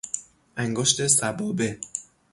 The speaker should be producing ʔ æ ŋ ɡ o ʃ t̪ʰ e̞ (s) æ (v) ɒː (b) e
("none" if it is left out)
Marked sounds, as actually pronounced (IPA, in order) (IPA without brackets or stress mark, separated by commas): s, b, b